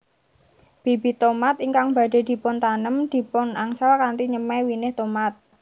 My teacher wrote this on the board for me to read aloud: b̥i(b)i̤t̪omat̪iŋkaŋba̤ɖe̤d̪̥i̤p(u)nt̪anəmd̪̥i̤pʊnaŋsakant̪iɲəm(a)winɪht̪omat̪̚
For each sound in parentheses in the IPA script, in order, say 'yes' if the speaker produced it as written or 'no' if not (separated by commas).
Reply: yes, no, no